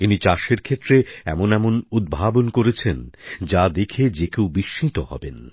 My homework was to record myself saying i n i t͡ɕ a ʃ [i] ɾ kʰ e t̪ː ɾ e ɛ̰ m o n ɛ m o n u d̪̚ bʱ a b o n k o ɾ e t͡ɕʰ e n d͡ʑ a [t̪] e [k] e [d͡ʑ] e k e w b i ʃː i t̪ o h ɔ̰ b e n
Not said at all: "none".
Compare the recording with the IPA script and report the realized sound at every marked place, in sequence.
e, d̪, kʰ, d͡ʑ

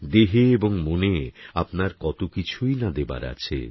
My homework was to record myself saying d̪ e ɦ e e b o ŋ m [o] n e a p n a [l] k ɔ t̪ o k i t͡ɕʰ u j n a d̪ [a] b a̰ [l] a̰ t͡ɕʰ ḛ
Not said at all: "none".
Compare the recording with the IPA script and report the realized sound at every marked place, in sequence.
o, ɾ, e, ɾ

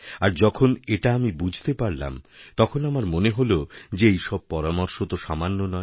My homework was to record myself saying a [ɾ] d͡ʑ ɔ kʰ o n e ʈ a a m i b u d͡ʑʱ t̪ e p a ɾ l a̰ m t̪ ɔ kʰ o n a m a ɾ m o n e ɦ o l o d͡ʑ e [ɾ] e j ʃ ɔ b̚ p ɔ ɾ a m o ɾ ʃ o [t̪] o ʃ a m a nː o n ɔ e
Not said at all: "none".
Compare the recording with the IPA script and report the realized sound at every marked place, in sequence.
ɾ, none, t̪

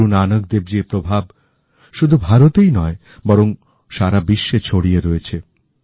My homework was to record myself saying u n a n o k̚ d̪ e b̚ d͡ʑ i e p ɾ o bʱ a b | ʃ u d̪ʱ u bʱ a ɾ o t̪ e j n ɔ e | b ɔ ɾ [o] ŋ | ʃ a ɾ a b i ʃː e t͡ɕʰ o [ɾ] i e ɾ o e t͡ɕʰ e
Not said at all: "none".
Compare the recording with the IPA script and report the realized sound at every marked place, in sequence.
o, ɽ

